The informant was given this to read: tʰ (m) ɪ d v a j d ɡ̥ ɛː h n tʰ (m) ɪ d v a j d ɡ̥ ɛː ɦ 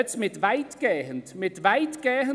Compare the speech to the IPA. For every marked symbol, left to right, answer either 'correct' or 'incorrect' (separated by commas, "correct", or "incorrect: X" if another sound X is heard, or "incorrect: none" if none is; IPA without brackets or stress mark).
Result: correct, correct